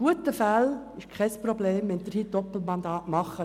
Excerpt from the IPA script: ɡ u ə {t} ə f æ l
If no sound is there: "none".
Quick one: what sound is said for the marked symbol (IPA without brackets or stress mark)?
t